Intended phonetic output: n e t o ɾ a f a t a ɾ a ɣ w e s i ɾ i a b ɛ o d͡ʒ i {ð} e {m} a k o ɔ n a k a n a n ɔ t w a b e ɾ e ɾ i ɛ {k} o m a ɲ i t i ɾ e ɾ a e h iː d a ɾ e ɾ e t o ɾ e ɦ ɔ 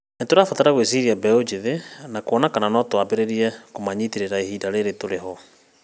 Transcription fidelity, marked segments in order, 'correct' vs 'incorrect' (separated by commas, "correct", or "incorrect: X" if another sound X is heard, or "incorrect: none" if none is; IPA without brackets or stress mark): correct, incorrect: n, correct